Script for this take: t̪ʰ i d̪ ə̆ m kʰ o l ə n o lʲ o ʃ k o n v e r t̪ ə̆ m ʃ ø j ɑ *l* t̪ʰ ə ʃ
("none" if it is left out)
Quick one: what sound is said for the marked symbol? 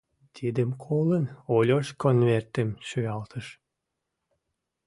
l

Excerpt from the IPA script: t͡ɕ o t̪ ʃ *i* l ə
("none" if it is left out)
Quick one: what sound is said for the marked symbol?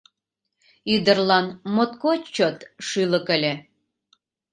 y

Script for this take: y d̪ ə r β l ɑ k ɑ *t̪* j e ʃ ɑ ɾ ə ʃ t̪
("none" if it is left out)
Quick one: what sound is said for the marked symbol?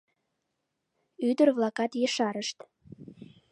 t̪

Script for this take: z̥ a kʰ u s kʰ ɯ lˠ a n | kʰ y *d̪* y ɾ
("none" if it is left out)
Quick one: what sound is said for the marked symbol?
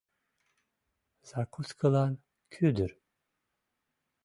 d̪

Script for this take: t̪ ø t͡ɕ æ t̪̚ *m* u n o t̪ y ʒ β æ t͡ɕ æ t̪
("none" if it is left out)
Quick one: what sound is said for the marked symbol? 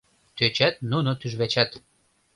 n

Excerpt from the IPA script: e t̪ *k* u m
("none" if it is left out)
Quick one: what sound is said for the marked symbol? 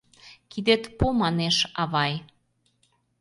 p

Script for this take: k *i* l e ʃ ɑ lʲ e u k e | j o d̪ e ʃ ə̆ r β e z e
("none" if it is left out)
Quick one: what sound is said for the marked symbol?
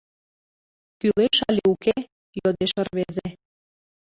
y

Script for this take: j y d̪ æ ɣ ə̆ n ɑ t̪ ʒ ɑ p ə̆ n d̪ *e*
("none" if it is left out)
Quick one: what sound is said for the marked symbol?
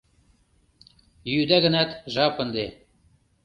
e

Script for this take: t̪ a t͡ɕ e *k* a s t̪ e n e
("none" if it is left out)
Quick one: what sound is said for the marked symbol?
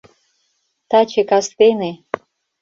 k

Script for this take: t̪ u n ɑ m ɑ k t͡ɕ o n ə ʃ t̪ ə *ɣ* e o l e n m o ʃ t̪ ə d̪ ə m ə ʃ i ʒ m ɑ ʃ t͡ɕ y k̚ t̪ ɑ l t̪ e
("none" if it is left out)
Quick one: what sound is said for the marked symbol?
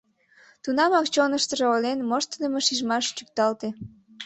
ʒ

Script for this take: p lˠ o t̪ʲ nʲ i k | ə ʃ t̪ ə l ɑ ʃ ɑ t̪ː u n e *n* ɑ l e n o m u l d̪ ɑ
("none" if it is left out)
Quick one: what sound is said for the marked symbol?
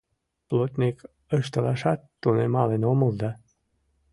m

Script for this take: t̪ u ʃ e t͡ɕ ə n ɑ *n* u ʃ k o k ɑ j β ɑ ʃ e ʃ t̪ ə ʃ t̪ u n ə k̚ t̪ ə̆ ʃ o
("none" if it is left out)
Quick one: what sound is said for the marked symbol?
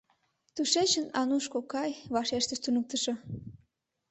n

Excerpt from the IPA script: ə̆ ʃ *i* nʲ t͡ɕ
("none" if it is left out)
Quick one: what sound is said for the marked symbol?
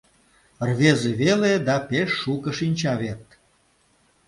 i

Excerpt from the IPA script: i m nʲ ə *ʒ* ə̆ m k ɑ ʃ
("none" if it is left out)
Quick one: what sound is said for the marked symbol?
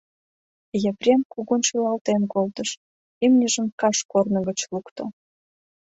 ʒ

